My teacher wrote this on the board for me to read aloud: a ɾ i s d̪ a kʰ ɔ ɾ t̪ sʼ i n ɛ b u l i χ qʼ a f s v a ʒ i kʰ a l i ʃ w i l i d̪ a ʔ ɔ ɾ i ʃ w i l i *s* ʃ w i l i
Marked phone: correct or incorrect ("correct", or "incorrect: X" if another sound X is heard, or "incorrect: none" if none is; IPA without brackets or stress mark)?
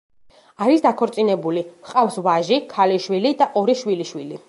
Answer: incorrect: none